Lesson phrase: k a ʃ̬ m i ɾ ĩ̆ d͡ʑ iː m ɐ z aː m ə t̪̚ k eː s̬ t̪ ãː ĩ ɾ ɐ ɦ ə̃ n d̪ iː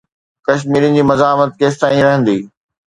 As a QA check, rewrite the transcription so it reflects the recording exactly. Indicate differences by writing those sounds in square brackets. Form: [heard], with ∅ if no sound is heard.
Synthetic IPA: k [ɐ] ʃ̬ m [iː] ɾ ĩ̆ d͡ʑ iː m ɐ z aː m ə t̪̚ k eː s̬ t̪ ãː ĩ ɾ ɐ ɦ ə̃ n d̪ iː